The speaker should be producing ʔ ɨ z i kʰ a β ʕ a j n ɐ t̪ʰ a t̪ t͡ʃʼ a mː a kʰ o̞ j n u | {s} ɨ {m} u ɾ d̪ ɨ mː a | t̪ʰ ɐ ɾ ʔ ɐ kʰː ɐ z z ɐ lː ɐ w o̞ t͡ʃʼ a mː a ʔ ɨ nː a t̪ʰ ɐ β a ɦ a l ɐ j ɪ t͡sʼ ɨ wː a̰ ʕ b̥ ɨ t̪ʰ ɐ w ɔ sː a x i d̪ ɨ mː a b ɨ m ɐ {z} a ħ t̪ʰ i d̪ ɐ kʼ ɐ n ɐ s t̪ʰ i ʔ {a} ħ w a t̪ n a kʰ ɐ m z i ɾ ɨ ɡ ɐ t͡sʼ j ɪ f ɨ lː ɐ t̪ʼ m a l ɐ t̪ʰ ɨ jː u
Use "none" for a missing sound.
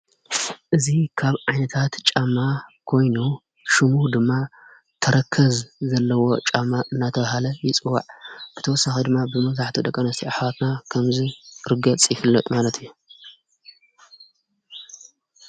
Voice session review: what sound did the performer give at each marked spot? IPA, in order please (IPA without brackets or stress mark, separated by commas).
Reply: ʃ, m, z, a